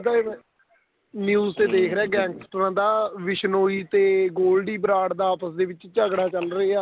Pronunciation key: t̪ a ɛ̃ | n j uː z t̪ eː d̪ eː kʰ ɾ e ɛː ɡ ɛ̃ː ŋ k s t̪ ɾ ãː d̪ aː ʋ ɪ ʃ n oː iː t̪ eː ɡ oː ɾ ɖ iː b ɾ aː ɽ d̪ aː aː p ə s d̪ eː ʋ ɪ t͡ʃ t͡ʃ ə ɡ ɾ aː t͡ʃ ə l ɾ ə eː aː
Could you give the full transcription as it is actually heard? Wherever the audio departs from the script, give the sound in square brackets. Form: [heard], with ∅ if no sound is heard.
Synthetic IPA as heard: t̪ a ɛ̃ | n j uː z t̪ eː d̪ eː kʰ ɾ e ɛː ɡ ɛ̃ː ŋ k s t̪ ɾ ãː d̪ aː ʋ ɪ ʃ n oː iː t̪ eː ɡ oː [l] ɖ iː b ɾ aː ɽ d̪ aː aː p ə s d̪ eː ʋ ɪ t͡ʃ t͡ʃ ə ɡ [ɽ] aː t͡ʃ ə l ɾ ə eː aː